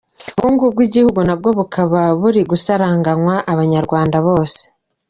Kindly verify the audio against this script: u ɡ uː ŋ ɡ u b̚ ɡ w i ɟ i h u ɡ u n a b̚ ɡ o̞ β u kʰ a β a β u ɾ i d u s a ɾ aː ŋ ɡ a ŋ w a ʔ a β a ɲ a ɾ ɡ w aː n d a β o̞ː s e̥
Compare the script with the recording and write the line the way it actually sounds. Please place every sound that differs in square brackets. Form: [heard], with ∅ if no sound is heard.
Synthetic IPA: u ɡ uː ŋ ɡ u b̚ ɡ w i ɟ i h u ɡ u n a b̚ ɡ o̞ β u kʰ a β a β u ɾ i [ɡ] u s a ɾ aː ŋ ɡ a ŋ w a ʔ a β a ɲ a ɾ ɡ w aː n d a β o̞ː s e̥